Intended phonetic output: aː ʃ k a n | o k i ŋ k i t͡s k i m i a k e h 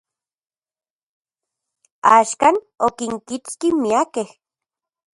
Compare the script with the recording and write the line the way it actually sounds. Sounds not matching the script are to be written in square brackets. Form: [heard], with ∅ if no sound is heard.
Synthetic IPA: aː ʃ k a n | o k i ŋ k i t͡s k i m i a k e h